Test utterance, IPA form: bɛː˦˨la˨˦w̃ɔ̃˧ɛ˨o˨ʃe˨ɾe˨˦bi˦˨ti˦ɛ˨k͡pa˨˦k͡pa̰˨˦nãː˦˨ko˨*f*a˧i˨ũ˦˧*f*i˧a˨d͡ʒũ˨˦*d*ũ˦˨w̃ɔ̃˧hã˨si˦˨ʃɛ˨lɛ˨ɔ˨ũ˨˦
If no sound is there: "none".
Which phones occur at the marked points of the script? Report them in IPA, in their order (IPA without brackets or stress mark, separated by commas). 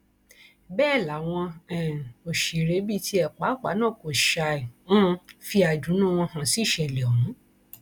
ʃ, f, n